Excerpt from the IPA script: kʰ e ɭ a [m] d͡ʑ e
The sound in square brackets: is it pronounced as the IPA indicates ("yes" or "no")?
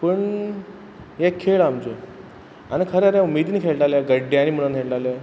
yes